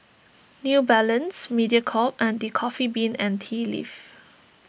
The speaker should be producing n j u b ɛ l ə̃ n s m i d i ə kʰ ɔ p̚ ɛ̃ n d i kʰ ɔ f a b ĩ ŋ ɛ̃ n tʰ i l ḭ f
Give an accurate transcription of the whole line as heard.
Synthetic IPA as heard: n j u b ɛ l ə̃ n s m i d i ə kʰ ɔ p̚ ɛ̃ n d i kʰ ɔ f i b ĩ n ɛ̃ n tʰ i l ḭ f